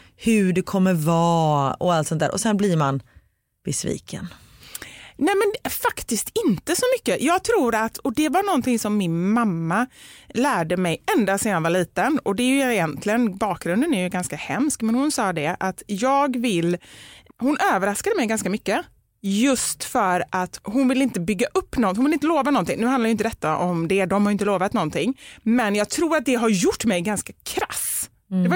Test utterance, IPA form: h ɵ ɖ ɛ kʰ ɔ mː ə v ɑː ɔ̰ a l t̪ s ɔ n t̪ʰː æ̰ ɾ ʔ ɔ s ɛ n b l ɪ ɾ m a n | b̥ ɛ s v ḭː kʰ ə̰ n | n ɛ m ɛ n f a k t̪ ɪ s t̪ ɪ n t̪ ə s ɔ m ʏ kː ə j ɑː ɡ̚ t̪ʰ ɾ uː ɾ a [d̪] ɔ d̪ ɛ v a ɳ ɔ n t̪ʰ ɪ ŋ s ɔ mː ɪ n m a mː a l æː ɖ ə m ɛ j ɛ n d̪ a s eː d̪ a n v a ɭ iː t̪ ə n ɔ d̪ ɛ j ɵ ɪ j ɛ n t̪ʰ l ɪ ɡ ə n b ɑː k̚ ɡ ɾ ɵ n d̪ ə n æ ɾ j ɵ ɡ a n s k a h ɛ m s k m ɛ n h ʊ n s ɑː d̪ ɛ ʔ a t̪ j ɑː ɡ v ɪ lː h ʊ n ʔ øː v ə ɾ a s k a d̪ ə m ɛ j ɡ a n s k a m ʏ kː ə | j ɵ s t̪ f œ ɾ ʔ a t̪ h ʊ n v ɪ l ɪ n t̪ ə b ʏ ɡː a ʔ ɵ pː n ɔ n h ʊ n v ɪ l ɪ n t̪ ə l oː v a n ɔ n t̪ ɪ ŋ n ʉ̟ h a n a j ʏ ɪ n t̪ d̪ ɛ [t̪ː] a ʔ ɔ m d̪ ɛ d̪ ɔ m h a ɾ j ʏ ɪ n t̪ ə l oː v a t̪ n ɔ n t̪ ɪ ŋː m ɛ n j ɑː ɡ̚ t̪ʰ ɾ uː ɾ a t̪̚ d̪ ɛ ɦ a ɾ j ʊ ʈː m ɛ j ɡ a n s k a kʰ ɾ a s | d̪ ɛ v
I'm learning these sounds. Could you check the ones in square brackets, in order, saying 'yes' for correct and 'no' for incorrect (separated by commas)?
no, yes